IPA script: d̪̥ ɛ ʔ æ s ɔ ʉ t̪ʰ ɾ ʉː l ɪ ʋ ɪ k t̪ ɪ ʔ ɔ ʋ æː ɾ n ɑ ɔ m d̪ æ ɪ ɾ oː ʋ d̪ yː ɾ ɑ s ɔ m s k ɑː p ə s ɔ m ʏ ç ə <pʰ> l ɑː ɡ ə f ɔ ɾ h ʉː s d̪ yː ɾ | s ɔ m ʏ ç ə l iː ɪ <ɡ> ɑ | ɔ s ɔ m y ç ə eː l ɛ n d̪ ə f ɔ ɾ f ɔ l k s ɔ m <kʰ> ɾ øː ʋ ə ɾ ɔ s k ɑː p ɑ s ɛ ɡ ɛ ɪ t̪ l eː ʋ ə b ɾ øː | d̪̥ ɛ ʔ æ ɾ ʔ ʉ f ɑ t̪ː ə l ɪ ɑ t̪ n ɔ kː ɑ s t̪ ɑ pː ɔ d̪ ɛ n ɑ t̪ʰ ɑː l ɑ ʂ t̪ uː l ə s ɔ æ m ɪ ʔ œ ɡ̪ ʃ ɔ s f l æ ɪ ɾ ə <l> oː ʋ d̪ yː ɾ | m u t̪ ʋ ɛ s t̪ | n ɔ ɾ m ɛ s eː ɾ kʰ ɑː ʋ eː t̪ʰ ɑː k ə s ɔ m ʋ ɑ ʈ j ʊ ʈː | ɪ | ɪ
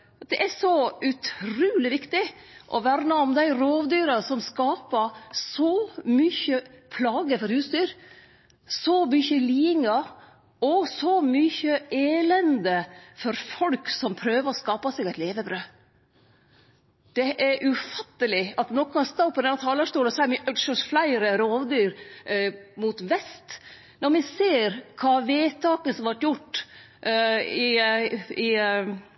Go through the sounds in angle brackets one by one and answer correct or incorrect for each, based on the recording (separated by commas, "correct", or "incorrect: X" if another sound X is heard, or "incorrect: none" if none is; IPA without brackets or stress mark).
correct, incorrect: ŋ, incorrect: pʰ, incorrect: ɾ